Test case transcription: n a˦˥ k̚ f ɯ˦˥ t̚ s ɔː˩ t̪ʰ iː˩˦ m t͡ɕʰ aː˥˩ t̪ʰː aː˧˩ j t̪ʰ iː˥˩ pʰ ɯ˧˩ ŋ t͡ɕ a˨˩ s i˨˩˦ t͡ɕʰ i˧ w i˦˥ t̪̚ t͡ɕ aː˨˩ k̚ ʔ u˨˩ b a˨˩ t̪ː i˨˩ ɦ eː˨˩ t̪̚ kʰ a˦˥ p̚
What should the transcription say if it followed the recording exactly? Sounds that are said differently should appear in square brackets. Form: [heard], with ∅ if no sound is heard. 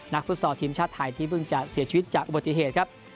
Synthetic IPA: n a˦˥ k̚ f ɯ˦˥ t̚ s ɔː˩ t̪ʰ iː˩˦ m t͡ɕʰ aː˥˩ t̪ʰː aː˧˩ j t̪ʰ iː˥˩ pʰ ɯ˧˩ ŋ t͡ɕ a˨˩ s i˨˩˦ t͡ɕʰ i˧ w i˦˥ t̪̚ t͡ɕ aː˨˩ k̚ ʔ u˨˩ b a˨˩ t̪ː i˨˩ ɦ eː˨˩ t̪̚ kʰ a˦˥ p̚